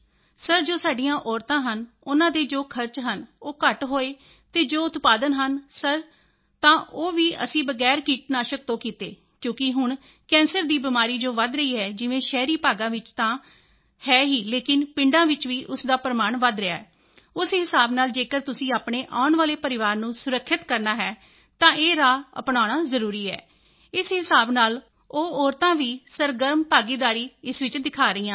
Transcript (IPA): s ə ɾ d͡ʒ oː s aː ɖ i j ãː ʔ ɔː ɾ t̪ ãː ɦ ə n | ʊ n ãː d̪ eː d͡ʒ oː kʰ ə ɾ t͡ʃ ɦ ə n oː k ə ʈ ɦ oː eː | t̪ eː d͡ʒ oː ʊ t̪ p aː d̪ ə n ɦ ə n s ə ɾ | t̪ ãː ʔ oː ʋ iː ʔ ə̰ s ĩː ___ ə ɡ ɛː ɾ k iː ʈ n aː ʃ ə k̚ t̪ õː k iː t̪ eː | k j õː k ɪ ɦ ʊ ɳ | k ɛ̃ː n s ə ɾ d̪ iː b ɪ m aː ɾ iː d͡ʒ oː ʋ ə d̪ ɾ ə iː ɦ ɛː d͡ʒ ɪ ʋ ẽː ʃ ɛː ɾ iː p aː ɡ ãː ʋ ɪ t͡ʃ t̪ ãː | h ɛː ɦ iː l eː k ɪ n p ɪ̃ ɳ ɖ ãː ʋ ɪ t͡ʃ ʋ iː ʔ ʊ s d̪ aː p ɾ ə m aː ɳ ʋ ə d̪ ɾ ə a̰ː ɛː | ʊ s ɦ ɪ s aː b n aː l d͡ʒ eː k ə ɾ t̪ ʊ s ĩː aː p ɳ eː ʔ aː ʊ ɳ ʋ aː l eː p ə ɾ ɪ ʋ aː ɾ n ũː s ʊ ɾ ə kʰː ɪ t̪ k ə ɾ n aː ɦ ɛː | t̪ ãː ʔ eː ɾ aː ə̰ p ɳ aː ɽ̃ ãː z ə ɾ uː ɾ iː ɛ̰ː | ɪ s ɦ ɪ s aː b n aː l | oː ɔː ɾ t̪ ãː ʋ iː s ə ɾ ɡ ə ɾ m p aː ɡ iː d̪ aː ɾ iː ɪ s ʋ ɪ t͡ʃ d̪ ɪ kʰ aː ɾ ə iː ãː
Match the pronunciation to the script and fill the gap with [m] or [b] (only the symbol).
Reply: b